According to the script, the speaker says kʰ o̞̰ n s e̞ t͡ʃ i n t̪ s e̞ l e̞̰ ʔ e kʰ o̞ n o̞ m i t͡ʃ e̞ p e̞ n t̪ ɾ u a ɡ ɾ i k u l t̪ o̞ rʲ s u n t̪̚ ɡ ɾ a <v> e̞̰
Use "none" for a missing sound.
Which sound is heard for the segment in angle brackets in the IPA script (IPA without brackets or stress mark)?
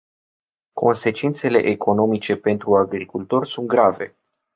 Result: v